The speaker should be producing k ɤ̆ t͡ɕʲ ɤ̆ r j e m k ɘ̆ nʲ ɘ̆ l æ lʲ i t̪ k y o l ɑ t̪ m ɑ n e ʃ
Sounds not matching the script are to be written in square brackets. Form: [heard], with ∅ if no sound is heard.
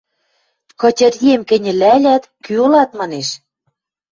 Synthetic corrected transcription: k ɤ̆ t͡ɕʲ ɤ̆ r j e m k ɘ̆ nʲ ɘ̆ l æ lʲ [æ] t̪ k y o l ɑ t̪ m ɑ n e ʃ